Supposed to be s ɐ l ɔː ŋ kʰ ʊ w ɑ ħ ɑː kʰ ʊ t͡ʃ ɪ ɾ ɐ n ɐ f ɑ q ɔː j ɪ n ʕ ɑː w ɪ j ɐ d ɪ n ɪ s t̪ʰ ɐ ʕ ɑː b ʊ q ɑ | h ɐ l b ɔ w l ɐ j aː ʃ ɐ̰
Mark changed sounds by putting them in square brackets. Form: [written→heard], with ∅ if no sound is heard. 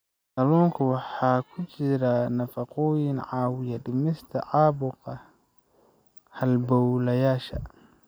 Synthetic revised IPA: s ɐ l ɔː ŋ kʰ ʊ w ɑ ħ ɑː kʰ ʊ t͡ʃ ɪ ɾ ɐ n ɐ f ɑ q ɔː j ɪ n ʕ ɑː w ɪ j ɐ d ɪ [n→m] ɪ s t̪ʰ ɐ ʕ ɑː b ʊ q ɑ | h ɐ l b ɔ w l ɐ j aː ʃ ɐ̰

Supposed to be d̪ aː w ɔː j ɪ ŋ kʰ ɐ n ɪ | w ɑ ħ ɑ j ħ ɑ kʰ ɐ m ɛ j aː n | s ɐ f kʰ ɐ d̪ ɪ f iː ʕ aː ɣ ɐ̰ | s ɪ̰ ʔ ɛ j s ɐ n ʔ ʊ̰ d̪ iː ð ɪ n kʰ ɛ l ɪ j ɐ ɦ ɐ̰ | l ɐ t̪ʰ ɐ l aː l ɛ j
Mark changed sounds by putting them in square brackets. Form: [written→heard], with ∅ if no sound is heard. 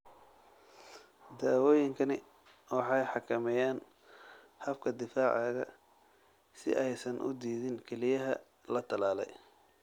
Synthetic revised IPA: d̪ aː w ɔː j ɪ ŋ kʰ ɐ n ɪ | w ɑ ħ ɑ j ħ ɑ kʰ ɐ m ɛ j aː n | [s→h] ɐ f kʰ ɐ d̪ ɪ f [iː→aː] ʕ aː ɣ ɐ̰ | s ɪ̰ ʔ ɛ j s ɐ n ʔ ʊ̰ d̪ iː ð ɪ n kʰ ɛ l ɪ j ɐ ɦ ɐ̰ | l ɐ t̪ʰ ɐ l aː l ɛ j

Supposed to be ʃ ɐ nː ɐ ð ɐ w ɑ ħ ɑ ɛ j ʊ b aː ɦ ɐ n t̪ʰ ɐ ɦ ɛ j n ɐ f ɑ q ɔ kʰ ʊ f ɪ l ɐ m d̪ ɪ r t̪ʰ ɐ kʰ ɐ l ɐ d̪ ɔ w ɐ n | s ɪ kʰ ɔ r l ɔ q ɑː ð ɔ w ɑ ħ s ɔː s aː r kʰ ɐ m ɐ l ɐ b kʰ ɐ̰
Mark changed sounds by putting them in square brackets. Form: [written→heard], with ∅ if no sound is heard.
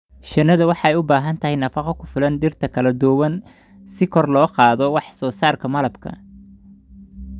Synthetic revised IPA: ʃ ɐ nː ɐ ð ɐ w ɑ ħ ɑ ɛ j ʊ b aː ɦ ɐ n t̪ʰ ɐ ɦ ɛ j n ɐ f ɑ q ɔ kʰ ʊ f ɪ l ɐ [m→n] d̪ ɪ r t̪ʰ ɐ kʰ ɐ l ɐ d̪ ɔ w ɐ n | s ɪ kʰ ɔ r l [ɔ→ɔː] q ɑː ð ɔ w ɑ ħ s ɔː s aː r kʰ ɐ m ɐ l ɐ b kʰ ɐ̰

